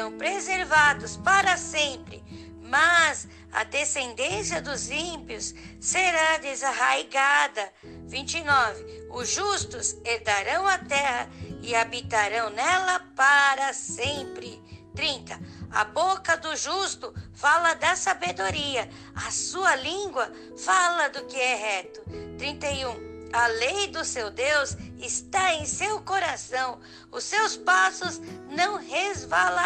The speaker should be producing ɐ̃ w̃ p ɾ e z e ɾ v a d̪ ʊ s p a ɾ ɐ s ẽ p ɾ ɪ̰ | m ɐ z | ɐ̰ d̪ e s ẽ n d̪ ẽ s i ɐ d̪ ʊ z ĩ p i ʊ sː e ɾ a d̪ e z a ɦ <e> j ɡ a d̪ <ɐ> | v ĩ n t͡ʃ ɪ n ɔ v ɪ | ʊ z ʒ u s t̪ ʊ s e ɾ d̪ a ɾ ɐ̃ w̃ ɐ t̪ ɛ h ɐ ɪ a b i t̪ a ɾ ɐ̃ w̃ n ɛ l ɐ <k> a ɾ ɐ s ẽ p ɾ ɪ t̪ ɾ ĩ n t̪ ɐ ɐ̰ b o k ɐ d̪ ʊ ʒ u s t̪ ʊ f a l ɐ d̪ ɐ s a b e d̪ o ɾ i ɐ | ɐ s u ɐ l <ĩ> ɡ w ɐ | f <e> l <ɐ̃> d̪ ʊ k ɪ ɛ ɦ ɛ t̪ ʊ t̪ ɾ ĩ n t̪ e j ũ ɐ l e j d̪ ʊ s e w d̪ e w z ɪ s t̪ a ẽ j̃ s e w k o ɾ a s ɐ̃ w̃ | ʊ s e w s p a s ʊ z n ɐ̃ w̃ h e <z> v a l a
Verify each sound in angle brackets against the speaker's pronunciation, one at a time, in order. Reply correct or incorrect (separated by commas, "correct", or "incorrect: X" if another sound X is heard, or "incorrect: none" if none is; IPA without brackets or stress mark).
incorrect: a, correct, incorrect: p, correct, incorrect: a, incorrect: ɐ, correct